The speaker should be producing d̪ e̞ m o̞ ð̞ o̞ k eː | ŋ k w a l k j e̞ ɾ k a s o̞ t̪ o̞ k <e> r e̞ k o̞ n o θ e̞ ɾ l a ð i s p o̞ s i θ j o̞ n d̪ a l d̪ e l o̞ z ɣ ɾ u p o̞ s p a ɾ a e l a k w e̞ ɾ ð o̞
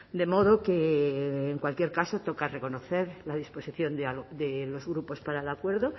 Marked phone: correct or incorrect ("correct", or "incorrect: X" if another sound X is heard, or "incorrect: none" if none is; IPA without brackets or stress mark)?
incorrect: a